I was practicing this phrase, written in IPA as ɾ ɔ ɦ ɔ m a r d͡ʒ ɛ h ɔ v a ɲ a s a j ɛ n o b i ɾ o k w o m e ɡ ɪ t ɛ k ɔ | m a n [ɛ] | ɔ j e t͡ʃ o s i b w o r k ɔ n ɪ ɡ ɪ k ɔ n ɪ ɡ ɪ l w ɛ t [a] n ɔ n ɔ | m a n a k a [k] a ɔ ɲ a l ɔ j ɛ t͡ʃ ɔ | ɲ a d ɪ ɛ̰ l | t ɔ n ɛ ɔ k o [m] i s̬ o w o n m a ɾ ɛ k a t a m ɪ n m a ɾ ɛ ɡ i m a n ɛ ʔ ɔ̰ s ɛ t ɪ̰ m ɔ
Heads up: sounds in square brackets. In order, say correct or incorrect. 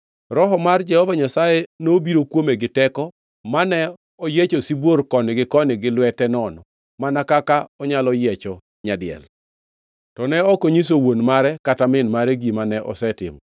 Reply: correct, incorrect, correct, incorrect

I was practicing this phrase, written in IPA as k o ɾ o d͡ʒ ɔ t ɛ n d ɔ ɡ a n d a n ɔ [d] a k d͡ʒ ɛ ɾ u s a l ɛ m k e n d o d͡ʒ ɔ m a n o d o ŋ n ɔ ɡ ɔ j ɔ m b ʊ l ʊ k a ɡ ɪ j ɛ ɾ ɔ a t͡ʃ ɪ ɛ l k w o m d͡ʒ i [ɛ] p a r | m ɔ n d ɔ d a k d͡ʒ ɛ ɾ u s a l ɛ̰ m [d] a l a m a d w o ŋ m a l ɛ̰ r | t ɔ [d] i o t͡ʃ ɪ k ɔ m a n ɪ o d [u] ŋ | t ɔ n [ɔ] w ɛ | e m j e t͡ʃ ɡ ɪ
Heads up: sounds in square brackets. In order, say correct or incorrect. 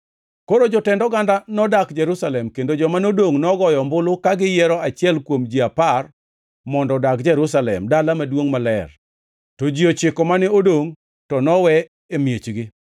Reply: correct, incorrect, correct, incorrect, incorrect, correct

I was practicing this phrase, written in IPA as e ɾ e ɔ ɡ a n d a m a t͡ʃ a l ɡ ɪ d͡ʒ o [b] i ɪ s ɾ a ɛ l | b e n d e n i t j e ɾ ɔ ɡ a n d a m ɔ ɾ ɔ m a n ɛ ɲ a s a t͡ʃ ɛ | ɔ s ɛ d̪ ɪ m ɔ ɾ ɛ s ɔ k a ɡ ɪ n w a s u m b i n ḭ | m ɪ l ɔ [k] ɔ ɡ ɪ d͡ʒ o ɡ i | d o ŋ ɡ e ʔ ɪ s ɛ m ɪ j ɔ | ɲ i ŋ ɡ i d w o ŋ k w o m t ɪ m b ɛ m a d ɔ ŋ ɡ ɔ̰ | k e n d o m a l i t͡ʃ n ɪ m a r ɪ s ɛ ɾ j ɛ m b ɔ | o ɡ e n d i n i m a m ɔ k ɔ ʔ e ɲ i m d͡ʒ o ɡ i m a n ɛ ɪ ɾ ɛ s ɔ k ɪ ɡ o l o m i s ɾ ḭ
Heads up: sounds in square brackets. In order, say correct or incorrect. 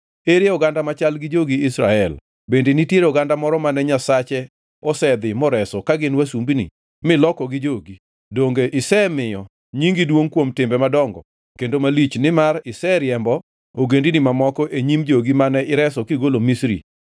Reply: incorrect, correct

